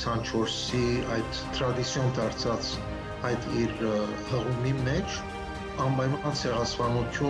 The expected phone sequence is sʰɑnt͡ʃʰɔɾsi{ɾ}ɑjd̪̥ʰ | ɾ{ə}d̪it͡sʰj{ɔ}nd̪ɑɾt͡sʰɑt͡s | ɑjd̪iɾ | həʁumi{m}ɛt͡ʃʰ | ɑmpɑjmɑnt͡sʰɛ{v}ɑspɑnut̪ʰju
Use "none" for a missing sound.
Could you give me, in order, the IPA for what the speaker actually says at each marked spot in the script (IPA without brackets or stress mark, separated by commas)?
none, ɑ, ɔ, m, ʁ